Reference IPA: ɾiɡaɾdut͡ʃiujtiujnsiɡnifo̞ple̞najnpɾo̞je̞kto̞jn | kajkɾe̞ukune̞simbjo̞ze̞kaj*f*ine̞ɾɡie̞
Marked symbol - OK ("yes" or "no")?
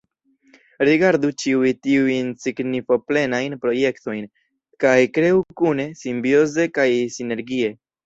no